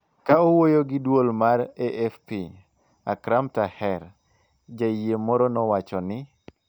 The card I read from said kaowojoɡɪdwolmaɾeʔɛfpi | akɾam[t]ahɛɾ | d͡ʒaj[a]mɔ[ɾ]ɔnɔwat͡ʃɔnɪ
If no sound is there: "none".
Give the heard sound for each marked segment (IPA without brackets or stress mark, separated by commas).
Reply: t, e, ɾ